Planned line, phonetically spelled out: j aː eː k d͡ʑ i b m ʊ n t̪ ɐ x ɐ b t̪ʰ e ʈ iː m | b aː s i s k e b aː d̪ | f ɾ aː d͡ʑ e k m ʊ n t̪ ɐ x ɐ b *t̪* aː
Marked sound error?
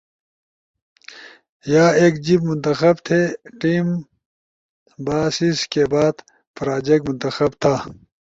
yes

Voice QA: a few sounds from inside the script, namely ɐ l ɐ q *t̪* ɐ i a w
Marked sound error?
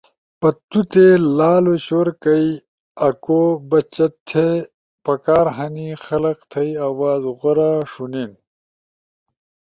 yes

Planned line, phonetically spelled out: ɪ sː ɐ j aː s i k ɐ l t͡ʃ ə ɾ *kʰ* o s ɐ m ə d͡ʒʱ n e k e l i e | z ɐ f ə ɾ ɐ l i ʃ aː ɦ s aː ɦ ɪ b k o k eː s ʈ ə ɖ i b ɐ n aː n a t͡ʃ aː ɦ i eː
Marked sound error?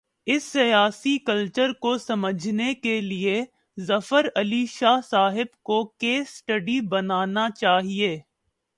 yes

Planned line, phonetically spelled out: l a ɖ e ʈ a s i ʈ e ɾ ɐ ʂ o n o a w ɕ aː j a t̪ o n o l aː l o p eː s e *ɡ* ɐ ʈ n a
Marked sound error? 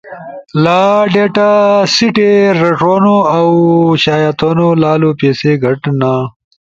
no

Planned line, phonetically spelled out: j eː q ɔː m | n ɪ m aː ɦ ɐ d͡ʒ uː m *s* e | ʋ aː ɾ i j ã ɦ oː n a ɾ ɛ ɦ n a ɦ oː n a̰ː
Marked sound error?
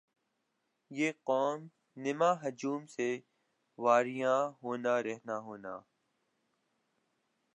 no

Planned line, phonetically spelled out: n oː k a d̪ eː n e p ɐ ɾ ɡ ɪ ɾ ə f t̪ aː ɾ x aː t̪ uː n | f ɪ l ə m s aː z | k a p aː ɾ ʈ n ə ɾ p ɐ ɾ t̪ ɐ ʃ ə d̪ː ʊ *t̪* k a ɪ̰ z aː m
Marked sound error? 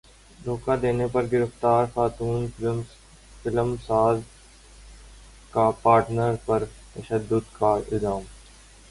yes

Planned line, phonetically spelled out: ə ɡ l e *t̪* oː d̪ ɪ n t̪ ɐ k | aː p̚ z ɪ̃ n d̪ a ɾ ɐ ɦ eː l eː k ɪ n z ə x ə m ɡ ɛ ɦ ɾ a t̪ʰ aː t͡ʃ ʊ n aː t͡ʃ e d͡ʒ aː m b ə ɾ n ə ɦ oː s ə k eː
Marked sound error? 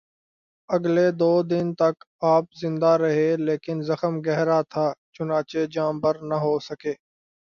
yes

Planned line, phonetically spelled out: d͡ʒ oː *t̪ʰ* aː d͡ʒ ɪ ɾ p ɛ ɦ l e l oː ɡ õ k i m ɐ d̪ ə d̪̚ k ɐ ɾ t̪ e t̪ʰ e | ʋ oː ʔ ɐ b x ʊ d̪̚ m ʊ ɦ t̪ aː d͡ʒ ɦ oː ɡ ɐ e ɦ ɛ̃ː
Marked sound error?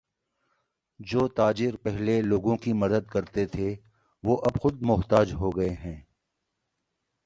yes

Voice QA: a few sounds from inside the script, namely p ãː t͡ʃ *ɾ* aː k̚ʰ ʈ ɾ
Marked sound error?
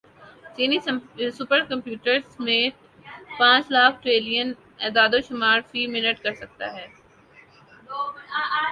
yes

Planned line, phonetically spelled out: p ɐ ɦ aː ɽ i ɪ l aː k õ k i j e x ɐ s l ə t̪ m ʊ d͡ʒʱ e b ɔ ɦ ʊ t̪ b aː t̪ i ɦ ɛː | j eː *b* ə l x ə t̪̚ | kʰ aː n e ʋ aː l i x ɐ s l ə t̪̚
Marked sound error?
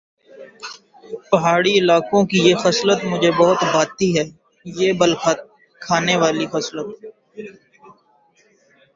no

